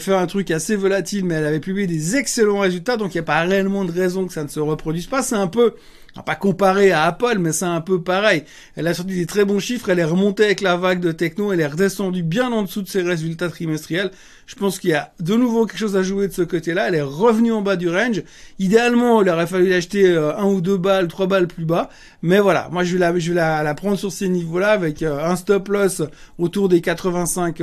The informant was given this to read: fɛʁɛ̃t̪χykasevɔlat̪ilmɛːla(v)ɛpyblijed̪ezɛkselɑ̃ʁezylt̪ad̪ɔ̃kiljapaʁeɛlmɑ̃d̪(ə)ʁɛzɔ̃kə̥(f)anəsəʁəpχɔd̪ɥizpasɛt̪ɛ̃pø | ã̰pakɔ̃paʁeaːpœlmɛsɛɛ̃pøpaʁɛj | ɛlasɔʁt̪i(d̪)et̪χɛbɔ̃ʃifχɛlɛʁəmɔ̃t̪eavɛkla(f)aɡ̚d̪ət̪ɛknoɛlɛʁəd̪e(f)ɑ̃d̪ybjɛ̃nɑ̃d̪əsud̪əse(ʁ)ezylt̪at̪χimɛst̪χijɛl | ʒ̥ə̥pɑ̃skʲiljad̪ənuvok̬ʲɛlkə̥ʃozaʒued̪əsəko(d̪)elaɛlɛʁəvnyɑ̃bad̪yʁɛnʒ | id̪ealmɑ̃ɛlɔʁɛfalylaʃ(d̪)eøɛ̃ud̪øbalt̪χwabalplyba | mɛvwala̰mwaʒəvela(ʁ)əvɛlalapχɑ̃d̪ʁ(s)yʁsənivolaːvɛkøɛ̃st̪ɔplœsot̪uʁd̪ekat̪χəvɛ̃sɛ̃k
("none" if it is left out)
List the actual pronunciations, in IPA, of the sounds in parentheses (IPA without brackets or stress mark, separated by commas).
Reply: v, ə, s, d̪, v, s, ʁ, t̪, t̪, ʒ, s